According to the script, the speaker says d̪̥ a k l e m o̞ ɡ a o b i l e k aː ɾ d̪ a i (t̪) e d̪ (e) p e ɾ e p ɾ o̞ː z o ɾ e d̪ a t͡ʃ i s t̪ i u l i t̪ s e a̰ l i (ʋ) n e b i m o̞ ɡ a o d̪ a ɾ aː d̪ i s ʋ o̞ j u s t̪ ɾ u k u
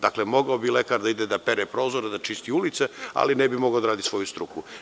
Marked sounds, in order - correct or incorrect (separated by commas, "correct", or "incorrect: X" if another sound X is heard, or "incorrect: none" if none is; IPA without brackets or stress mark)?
incorrect: d̪, incorrect: a, incorrect: none